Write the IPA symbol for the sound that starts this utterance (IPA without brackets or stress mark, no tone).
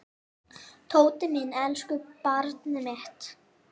t̪ʰ